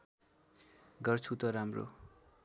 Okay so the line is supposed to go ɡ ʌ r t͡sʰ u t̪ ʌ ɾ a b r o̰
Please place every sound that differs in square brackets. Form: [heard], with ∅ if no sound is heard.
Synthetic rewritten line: ɡ ʌ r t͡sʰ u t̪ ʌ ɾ a [m] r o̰